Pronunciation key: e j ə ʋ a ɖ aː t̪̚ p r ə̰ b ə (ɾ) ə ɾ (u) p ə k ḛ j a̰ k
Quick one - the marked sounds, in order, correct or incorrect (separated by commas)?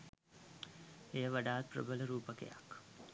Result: incorrect, incorrect